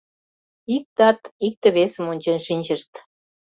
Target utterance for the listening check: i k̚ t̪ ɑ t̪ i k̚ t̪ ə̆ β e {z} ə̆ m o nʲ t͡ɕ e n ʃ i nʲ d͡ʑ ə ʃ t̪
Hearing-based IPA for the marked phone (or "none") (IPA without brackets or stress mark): s